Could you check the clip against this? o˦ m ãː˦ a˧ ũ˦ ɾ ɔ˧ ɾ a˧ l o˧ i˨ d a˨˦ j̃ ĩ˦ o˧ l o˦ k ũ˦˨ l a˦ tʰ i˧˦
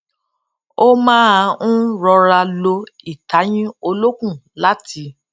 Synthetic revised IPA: o˦ m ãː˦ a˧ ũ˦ ɾ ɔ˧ ɾ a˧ l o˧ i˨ t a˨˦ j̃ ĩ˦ o˧ l o˦ k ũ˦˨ l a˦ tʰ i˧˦